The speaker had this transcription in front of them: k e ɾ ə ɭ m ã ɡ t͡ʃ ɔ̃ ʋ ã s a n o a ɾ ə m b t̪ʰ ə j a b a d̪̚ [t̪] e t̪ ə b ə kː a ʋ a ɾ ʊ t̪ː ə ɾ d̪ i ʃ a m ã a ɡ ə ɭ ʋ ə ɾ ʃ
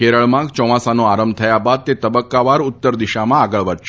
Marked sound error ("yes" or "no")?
no